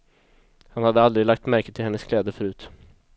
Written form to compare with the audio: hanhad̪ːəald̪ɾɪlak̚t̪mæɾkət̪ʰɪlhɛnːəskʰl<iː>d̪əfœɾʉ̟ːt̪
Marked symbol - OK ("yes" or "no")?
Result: no